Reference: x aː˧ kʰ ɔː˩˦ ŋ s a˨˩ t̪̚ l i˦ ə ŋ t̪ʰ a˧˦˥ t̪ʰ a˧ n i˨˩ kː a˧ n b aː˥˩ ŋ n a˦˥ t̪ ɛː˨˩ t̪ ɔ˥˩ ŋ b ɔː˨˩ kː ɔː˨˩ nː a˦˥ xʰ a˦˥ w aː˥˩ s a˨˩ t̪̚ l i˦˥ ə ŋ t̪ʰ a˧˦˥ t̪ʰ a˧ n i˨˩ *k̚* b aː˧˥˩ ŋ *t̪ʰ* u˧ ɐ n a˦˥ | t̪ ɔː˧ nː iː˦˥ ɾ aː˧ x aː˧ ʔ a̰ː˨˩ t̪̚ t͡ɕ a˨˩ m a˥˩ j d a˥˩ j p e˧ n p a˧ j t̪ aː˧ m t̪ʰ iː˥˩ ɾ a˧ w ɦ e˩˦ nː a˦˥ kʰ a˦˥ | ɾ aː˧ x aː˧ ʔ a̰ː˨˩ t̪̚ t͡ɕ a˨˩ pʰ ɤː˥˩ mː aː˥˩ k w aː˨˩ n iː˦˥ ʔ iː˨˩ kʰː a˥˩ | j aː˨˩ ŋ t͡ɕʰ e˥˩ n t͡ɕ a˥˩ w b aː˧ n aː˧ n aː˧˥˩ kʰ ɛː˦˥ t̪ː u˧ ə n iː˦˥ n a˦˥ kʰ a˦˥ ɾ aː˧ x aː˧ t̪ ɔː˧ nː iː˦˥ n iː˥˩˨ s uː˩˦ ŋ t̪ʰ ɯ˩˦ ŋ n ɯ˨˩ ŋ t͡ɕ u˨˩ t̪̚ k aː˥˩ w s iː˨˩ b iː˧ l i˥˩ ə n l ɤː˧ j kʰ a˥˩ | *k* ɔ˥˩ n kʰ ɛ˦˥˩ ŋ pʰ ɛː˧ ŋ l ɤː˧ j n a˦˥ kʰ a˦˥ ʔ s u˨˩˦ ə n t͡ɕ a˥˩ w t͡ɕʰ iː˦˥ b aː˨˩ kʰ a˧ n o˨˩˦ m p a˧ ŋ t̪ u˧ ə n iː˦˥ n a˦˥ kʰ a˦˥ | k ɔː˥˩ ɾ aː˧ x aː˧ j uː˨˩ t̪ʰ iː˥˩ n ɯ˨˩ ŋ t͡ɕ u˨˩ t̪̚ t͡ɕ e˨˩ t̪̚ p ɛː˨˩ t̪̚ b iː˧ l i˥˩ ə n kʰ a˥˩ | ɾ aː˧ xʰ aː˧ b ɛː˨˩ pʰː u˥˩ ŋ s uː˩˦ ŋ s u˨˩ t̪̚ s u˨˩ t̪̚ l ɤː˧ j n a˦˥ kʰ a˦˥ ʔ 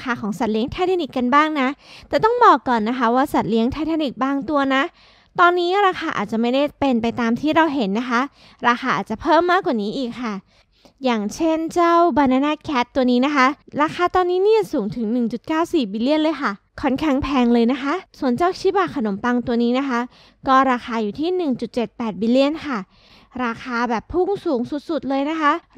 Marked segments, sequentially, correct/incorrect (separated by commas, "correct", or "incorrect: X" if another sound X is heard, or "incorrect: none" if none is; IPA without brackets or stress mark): correct, incorrect: t̪, incorrect: kʰ